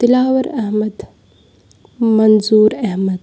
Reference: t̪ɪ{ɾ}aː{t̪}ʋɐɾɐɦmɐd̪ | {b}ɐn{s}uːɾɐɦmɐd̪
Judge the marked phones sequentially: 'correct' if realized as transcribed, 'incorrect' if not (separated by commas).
incorrect, incorrect, incorrect, incorrect